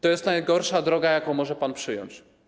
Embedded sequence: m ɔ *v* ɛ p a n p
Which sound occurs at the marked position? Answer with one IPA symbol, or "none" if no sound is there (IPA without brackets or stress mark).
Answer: ʐ